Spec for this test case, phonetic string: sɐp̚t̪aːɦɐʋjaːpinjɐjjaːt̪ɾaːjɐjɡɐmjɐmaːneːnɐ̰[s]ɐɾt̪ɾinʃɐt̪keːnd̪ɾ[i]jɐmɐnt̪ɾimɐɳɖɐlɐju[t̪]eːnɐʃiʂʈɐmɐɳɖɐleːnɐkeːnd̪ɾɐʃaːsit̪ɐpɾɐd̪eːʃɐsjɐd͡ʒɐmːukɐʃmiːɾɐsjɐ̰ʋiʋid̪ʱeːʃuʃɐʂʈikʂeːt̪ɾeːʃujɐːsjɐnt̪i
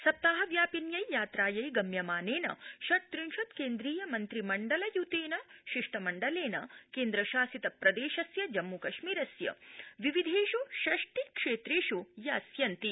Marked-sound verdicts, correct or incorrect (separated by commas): incorrect, incorrect, correct